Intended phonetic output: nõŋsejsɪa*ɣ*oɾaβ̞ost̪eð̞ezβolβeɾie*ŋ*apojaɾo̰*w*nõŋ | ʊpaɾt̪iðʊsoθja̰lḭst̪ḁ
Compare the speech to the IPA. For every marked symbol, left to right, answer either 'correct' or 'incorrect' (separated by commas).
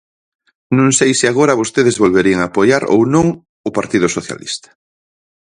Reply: correct, correct, correct